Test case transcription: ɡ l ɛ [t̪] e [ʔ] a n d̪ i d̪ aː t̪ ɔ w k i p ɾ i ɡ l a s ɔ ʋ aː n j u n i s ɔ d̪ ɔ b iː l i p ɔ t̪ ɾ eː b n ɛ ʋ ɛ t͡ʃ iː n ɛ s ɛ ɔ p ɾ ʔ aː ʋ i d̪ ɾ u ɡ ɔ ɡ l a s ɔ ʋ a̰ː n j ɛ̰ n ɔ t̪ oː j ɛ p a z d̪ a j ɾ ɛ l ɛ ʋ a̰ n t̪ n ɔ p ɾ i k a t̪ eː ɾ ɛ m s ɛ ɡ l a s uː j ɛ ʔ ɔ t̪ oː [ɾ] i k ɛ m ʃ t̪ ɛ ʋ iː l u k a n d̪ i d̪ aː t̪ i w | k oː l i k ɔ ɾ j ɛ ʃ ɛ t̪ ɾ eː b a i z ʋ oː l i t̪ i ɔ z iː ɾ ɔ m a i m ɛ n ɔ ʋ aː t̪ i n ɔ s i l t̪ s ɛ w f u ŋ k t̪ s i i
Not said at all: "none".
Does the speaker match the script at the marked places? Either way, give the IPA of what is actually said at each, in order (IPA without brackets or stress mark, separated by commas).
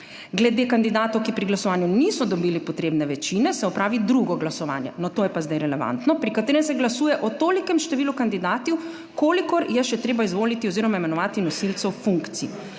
d̪, k, l